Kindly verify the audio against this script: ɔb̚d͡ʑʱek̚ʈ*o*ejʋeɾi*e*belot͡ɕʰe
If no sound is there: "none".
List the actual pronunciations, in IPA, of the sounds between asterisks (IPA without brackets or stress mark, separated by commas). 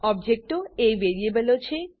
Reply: o, e